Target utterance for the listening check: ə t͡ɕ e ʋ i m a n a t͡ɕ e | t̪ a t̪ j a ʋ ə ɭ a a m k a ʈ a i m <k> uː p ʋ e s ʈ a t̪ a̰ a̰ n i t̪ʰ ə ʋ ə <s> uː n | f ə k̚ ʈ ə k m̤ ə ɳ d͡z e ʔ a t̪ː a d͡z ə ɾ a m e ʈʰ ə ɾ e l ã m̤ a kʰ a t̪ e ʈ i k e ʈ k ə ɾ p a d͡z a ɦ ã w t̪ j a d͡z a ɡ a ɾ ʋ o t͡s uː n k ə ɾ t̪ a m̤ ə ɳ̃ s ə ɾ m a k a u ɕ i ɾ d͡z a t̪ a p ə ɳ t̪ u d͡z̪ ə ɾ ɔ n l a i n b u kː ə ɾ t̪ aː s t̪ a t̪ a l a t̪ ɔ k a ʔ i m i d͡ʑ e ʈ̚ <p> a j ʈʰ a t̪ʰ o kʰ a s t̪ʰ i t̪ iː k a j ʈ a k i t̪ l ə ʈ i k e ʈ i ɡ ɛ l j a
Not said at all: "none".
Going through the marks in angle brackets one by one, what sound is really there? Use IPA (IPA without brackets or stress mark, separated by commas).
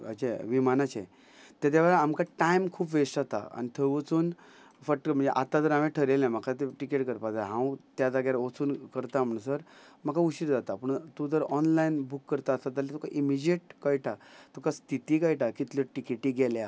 kʰ, t͡s, k